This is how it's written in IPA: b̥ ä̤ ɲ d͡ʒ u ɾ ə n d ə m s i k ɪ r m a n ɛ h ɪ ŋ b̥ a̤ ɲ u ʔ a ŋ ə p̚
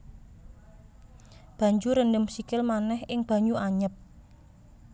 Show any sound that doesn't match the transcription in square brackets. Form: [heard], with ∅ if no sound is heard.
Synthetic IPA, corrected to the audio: b̥ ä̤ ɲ d͡ʒ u ɾ ə n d ə m s i k ɪ [l] m a n ɛ h ɪ ŋ b̥ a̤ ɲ u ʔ a [ɲ] ə p̚